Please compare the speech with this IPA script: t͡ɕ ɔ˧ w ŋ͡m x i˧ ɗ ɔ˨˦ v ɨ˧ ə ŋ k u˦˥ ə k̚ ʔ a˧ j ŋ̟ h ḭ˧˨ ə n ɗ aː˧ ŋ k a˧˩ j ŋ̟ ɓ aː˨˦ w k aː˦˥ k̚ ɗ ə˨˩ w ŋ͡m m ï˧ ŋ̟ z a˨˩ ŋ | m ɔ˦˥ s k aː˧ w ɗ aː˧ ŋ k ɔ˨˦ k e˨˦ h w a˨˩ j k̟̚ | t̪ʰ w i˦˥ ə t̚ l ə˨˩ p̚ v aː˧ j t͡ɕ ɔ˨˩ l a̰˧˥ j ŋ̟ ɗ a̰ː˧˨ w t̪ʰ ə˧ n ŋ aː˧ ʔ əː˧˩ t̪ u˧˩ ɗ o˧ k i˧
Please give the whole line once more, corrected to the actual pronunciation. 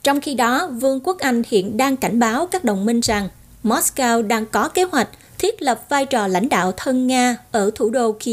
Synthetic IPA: t͡ɕ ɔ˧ w ŋ͡m x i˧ ɗ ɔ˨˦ v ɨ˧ ə ŋ k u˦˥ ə k̚ ʔ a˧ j ŋ̟ h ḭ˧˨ ə n ɗ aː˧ ŋ k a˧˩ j ŋ̟ ɓ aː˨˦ w k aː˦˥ k̚ ɗ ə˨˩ w ŋ͡m m ï˧ ŋ̟ z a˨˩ ŋ | m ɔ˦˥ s k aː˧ w ɗ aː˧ ŋ k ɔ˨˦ k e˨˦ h w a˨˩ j k̟̚ | t̪ʰ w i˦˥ ə t̚ l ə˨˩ p̚ v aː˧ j t͡ɕ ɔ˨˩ l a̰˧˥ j ŋ̟ ɗ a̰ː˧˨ w t̪ʰ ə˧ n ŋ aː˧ ʔ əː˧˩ t̪ʰ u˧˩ ɗ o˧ k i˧